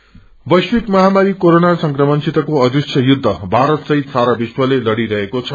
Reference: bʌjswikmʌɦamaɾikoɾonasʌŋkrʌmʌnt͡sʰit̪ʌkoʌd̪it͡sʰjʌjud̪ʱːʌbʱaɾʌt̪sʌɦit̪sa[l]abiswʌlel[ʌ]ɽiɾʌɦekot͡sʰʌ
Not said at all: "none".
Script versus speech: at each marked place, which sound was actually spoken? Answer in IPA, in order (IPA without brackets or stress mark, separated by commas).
ɾ, ʌ